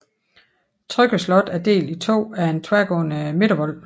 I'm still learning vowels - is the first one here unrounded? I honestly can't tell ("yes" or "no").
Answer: no